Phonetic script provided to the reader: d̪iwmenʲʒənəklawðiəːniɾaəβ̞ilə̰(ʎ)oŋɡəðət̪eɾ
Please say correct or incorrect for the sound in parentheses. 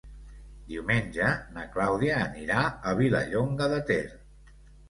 correct